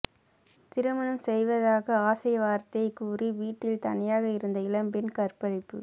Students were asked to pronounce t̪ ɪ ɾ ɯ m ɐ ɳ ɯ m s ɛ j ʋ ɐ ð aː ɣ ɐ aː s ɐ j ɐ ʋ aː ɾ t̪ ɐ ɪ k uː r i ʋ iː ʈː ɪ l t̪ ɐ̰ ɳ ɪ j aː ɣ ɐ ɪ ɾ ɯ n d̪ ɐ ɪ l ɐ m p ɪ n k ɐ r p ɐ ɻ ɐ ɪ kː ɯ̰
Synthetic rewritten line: t̪ ɪ ɾ ɯ m ɐ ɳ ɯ m s ɛ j ʋ ɐ ð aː ɣ ɐ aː s ɐ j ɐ ʋ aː ɾ t̪ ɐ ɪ k uː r i ʋ iː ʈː ɪ l t̪ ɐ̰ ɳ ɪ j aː ɣ ɐ ɪ ɾ ɯ n d̪ ɐ ɪ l ɐ m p ɪ n k ɐ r p ɐ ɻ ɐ ɪ pː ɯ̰